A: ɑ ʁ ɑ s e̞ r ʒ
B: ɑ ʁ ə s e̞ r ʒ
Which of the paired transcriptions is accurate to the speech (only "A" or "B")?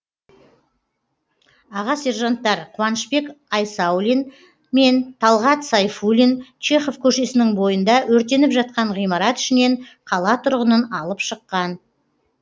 A